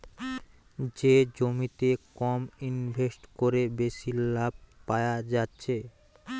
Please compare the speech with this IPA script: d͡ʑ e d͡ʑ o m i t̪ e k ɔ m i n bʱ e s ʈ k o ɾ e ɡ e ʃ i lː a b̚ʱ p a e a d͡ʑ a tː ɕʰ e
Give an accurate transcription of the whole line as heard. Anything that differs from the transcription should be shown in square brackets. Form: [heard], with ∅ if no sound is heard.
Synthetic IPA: d͡ʑ e d͡ʑ o m i t̪ e k ɔ m i n bʱ e s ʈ k o ɾ e [b] e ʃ i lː a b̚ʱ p a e a d͡ʑ a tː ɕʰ e